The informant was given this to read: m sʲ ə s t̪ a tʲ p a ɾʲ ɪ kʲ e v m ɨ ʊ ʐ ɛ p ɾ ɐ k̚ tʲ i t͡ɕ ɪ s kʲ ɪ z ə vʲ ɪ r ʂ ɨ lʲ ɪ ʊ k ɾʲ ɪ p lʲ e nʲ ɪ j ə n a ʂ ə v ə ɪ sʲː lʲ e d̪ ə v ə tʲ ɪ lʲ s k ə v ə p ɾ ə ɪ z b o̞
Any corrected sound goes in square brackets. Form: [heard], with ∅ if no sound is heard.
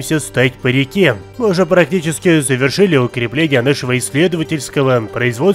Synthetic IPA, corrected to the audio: m sʲ ə s t̪ a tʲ p [ə] ɾʲ ɪ kʲ e [∅] m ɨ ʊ ʐ ɛ p ɾ ɐ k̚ tʲ i t͡ɕ ɪ s kʲ ɪ z ə vʲ ɪ r ʂ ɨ lʲ ɪ ʊ k ɾʲ ɪ p lʲ e nʲ ɪ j ə n a ʂ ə v ə ɪ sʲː lʲ e d̪ ə v ə tʲ ɪ lʲ s k ə v ə p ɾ ə ɪ z [v] o̞